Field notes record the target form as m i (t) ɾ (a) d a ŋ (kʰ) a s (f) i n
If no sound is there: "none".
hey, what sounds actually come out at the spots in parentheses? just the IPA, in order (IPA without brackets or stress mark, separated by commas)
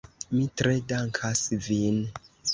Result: t, e, kʰ, v